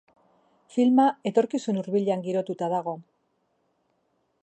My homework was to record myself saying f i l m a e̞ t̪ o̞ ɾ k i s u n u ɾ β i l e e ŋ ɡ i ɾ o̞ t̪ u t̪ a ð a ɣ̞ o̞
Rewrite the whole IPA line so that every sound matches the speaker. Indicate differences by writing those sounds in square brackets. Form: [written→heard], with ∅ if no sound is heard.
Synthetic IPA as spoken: f i l m a e̞ t̪ o̞ ɾ k i s u n u ɾ β i [l→ʎ] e [e→a] ŋ ɡ i ɾ o̞ t̪ u t̪ a ð a ɣ̞ o̞